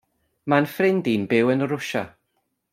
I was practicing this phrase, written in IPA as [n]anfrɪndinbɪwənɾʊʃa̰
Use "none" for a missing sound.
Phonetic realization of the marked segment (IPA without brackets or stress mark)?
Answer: m